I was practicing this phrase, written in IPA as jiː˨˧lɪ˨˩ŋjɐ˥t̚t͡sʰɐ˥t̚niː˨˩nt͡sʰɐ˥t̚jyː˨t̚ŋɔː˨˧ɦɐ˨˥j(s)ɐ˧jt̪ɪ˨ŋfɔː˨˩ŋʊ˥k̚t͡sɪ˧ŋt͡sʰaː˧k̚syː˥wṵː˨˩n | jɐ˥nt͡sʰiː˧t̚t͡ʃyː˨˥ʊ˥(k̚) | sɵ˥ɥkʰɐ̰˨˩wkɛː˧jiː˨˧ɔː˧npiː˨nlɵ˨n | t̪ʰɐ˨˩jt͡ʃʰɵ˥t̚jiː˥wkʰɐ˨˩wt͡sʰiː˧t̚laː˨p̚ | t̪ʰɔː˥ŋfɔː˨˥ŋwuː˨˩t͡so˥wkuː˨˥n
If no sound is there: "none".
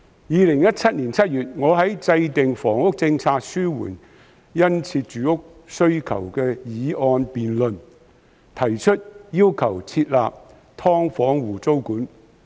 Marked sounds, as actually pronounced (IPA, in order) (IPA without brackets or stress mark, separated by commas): t͡s, k̚